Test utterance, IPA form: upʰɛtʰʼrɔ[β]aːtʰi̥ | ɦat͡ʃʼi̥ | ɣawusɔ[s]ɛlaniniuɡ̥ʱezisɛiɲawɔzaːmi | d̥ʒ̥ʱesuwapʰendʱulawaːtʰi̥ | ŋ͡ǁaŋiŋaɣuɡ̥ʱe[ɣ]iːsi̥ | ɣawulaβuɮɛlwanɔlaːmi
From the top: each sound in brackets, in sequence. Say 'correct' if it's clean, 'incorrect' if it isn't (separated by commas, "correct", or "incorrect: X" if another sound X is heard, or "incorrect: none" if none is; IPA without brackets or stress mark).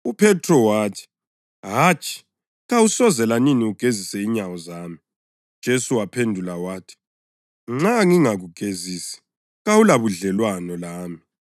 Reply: incorrect: w, incorrect: z, incorrect: z